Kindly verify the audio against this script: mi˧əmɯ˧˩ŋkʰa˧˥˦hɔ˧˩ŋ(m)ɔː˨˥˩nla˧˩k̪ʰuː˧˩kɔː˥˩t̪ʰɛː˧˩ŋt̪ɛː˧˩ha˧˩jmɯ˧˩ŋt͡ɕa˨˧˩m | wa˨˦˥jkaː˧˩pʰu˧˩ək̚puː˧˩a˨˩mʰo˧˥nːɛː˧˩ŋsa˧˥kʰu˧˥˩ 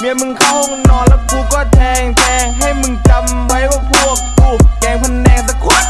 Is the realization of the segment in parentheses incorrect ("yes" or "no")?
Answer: yes